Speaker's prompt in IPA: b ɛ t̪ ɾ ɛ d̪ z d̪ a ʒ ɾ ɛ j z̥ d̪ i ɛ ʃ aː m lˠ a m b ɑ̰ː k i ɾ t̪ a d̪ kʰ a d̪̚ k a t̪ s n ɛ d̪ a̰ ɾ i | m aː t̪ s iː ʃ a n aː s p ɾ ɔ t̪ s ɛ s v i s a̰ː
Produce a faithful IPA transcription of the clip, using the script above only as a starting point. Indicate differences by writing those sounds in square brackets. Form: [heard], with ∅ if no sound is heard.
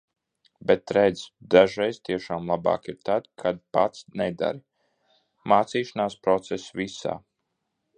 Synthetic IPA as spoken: b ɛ t̪ ɾ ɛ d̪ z d̪ a ʒ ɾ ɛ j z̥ [t̪] i ɛ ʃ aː m lˠ a [∅] b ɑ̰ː k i ɾ t̪ a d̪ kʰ a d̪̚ [p] a t̪ s n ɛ d̪ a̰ ɾ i | m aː t̪ s iː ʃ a n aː s p ɾ ɔ t̪ s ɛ s v i s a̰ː